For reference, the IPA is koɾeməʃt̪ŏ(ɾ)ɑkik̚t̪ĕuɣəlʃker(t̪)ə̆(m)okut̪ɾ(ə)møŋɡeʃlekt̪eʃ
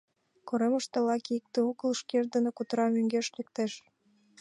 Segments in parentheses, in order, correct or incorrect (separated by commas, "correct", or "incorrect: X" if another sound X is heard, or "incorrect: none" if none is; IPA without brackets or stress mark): incorrect: l, incorrect: d̪, incorrect: n, incorrect: ɑ